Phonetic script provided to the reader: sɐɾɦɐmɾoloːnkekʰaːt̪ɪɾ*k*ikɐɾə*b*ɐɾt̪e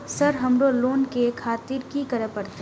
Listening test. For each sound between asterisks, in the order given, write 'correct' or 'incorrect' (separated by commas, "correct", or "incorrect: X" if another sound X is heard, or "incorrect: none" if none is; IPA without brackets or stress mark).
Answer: correct, incorrect: p